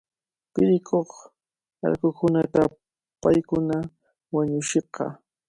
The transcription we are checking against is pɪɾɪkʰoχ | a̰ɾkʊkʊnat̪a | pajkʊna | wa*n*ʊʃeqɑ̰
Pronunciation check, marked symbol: incorrect: ɲ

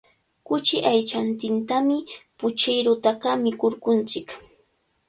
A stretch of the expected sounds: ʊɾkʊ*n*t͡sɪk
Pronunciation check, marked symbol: correct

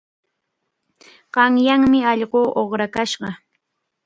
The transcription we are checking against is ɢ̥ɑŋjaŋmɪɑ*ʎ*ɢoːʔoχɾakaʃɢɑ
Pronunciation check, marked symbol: correct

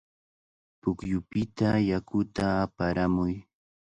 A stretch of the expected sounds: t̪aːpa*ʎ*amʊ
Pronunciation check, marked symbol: incorrect: ɾ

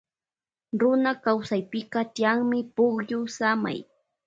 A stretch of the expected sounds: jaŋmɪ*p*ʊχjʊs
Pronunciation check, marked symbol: correct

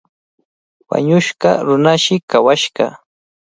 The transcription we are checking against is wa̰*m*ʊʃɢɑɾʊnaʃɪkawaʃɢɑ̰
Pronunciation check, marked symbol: incorrect: ɲ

